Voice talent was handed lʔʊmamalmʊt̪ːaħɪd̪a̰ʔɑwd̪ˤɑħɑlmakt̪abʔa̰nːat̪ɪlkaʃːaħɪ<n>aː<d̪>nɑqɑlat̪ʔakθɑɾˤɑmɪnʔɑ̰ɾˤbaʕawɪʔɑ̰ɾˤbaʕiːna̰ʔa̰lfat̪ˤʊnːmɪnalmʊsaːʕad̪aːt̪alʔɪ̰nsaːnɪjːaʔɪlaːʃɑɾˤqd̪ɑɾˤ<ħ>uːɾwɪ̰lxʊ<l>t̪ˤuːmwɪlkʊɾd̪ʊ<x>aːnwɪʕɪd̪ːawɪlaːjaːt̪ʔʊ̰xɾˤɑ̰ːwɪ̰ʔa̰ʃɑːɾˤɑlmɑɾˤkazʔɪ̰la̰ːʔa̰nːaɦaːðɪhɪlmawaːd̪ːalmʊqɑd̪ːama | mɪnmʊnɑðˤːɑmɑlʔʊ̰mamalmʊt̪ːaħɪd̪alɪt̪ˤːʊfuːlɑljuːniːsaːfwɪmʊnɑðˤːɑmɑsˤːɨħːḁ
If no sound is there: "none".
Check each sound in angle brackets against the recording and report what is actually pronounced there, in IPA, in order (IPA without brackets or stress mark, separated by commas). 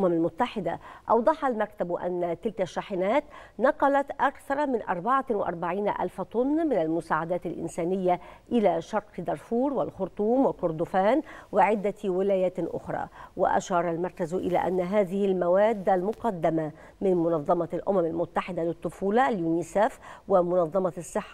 n, t̪, f, ɾ, f